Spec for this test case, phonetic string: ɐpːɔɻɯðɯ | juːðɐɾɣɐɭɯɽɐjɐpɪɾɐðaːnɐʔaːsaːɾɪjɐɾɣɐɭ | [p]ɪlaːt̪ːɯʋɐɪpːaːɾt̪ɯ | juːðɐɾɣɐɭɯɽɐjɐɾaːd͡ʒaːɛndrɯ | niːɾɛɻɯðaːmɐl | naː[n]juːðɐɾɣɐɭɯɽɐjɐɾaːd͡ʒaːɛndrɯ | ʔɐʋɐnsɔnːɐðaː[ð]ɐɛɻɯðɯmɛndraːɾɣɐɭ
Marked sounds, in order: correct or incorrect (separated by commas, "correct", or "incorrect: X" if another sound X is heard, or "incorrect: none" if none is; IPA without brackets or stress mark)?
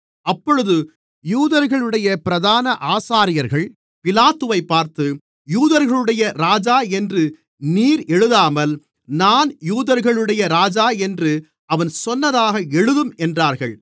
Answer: correct, correct, incorrect: ɣ